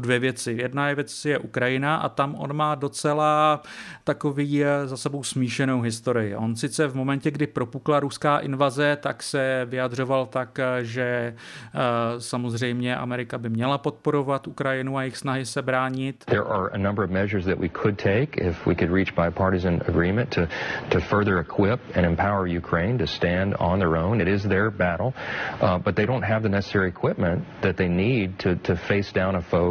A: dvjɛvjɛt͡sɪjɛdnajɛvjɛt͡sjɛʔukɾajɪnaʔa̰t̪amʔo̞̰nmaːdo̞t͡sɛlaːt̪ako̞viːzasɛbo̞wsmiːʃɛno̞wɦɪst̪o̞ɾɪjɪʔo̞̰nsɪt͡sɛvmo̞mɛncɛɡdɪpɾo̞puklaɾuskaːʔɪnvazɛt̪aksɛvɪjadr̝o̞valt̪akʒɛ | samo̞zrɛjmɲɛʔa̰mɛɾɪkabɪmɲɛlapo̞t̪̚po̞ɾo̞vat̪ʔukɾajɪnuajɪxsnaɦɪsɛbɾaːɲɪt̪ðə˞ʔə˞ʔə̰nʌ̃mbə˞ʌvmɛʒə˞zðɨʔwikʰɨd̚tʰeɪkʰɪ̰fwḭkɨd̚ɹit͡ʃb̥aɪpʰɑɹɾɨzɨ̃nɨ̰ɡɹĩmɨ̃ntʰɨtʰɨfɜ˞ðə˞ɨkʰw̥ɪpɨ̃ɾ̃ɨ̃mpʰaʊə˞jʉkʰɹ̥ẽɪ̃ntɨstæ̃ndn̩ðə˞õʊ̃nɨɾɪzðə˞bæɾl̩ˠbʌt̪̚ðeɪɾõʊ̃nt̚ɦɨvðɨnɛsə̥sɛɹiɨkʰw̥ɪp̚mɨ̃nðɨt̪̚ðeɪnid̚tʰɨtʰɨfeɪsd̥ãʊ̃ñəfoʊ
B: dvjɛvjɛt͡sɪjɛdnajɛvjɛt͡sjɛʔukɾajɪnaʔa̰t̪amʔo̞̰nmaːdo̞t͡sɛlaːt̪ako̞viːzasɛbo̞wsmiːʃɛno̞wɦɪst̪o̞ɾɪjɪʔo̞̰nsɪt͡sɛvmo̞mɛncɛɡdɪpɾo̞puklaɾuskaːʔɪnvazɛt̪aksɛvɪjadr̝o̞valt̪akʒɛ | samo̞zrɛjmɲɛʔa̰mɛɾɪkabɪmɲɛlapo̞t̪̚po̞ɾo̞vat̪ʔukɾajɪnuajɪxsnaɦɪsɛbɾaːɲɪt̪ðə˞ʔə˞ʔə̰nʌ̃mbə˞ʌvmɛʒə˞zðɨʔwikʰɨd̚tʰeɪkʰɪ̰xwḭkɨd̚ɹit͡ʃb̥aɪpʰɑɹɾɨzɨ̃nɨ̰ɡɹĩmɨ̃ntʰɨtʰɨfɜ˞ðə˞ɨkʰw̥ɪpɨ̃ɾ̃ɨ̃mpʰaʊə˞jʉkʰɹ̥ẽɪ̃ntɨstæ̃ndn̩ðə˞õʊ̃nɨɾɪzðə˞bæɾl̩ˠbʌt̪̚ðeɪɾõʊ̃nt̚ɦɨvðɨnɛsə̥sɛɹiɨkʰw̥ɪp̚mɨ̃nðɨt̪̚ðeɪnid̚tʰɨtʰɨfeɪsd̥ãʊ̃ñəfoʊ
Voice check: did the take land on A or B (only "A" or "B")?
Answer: A